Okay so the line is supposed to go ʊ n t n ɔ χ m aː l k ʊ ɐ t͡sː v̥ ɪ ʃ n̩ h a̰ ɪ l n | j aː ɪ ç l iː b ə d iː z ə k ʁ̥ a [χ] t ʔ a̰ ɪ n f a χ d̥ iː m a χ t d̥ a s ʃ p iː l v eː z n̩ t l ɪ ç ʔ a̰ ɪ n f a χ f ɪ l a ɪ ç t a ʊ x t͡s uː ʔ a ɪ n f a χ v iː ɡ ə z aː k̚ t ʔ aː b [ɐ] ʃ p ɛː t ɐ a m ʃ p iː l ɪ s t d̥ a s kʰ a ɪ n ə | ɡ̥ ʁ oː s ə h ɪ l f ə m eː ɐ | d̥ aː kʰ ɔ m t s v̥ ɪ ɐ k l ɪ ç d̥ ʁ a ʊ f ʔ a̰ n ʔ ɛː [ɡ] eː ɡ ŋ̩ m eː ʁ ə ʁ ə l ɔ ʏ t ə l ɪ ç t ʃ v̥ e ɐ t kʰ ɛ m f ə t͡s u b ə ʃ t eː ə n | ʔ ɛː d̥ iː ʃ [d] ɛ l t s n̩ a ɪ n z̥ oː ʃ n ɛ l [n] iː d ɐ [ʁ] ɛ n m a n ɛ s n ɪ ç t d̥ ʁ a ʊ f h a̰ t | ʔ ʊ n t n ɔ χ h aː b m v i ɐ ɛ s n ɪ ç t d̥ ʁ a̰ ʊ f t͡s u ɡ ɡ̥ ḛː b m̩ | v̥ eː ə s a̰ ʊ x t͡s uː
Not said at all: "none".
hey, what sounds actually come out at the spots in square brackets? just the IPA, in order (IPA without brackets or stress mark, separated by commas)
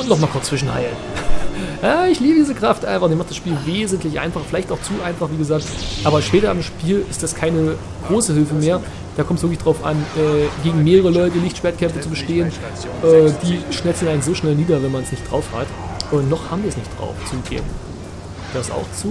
f, ɐ, ɡ, n, n, v